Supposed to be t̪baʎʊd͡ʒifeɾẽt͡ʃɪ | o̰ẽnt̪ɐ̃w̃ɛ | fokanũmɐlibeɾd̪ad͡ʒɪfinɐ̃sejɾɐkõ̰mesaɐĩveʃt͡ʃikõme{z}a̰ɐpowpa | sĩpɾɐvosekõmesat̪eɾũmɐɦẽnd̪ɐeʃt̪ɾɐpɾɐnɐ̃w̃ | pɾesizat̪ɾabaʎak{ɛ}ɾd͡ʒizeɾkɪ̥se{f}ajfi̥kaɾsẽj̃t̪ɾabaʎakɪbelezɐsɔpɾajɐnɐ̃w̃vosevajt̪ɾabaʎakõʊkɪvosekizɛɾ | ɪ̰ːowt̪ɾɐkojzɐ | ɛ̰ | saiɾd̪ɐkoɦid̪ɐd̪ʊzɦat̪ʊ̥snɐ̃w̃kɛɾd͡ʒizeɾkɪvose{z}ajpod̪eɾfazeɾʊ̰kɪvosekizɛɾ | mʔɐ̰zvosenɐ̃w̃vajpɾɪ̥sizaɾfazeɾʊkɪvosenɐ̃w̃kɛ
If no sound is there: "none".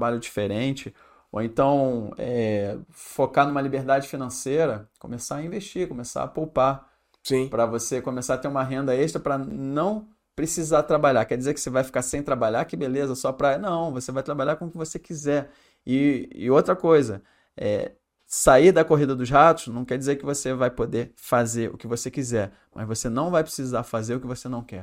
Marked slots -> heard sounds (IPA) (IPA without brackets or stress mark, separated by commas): s, ɛ, v, v